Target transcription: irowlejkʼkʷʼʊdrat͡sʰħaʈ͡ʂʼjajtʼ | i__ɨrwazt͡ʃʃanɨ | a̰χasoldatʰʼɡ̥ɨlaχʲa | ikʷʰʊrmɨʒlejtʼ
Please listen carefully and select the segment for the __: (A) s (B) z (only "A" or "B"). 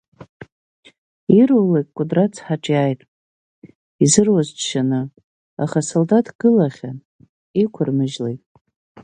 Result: B